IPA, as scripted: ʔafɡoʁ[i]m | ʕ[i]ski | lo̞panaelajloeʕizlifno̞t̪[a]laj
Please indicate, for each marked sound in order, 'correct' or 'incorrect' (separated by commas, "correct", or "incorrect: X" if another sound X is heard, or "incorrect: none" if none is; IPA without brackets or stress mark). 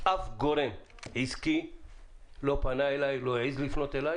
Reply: incorrect: e, correct, incorrect: e